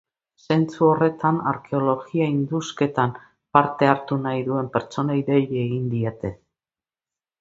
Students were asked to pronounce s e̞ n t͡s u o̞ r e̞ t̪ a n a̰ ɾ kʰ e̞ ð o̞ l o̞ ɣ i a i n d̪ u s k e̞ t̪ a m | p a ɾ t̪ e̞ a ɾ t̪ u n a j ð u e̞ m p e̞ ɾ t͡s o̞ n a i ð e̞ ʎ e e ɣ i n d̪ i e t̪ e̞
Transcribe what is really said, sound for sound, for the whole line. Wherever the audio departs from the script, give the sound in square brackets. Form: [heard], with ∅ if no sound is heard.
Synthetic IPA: s e̞ n t͡s u o̞ r e̞ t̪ a n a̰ ɾ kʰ e̞ [∅] o̞ l o̞ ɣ i a i n d̪ u s k e̞ t̪ a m | p a ɾ t̪ e̞ a ɾ t̪ u n a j ð u e̞ m p e̞ ɾ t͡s o̞ n a i ð e̞ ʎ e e ɣ i n d̪ i e t̪ e̞